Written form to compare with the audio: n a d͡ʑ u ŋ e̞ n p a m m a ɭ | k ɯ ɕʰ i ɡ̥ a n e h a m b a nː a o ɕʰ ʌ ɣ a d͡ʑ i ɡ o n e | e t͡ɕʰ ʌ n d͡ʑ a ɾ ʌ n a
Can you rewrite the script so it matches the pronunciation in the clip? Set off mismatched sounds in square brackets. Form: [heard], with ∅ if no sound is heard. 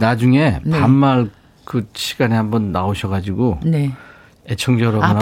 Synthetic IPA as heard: n a d͡ʑ u ŋ e̞ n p a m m a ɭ | k ɯ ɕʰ i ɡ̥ a n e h a m b [ʌ] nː a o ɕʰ ʌ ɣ a d͡ʑ i ɡ o n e | e t͡ɕʰ ʌ [ŋ] d͡ʑ [ʌ] ɾ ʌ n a